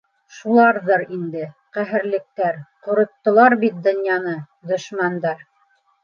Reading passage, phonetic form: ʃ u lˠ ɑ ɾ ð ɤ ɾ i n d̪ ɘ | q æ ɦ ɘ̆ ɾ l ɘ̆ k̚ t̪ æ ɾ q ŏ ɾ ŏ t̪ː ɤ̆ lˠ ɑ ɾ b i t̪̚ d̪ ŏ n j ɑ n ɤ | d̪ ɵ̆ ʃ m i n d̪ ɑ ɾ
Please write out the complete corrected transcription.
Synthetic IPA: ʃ u lˠ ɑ ɾ ð ɤ ɾ i n d̪ ɘ | q æ ɦ ɘ̆ ɾ l ɘ̆ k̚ t̪ æ ɾ q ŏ ɾ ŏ t̪ː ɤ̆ lˠ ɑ ɾ b i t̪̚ d̪ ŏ n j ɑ n ɤ | d̪ ɵ̆ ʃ m æ n d̪ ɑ ɾ